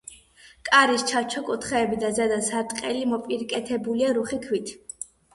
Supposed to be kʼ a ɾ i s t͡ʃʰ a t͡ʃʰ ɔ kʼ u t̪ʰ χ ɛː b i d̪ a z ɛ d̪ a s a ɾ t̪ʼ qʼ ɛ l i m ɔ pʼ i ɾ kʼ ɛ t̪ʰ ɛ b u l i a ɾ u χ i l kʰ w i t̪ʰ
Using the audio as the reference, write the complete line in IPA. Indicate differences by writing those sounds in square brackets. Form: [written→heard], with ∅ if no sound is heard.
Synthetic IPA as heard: kʼ a ɾ i s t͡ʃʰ a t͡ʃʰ ɔ kʼ u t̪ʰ χ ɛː b i d̪ a z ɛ d̪ a s a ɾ t̪ʼ qʼ ɛ l i m ɔ pʼ i ɾ kʼ ɛ t̪ʰ ɛ b u l i a ɾ u χ i [l→∅] kʰ w i t̪ʰ